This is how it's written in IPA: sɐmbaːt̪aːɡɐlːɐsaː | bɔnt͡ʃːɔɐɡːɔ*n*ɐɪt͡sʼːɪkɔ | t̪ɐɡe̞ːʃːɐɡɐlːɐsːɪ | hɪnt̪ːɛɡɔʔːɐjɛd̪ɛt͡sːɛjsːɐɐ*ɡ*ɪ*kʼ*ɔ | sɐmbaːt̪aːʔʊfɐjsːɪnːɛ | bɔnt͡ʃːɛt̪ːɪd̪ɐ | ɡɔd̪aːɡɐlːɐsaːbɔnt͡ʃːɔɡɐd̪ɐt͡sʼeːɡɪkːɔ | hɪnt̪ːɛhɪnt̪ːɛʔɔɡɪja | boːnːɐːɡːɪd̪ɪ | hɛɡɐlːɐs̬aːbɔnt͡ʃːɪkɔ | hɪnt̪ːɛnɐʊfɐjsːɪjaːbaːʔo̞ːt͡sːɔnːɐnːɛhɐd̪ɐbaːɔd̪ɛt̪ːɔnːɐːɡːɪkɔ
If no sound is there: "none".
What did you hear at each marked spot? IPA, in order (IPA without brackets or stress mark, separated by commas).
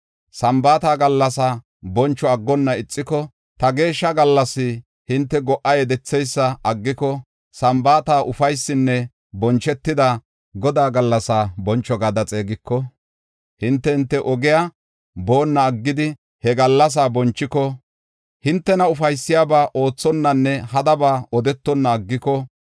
nː, ɡː, k